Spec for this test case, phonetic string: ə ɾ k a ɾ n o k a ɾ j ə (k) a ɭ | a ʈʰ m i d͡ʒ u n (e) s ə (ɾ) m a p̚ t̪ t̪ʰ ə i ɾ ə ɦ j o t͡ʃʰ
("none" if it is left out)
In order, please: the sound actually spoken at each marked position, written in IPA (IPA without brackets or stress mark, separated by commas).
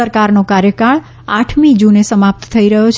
k, e, none